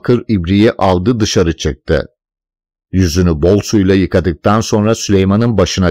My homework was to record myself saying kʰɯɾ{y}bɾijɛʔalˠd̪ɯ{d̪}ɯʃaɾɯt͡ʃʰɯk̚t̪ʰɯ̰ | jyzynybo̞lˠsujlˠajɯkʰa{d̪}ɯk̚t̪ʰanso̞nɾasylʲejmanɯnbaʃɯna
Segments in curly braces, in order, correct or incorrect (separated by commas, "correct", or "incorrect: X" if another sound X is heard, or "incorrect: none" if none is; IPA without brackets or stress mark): incorrect: i, correct, correct